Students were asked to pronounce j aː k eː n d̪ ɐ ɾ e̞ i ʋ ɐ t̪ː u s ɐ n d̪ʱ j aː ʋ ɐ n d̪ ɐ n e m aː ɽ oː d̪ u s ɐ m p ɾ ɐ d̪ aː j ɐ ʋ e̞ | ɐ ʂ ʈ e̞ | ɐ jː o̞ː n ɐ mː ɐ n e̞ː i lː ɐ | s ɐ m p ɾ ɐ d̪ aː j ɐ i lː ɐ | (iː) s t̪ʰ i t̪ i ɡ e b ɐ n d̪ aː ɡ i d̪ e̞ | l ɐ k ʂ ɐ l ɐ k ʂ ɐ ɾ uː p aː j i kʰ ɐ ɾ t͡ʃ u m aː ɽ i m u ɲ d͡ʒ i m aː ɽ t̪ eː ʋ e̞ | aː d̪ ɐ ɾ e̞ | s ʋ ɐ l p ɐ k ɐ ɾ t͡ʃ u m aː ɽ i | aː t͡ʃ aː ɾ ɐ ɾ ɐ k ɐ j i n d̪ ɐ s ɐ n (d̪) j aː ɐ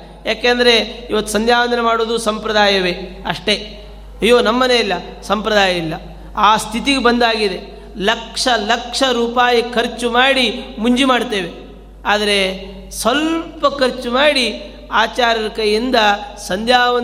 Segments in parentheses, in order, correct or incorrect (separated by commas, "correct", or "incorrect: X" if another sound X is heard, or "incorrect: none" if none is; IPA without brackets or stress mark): incorrect: aː, correct